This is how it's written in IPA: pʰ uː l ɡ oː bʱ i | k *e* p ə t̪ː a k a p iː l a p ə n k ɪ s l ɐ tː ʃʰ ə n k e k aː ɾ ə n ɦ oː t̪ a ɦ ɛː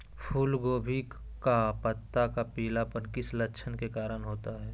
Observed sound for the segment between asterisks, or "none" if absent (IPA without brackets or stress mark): a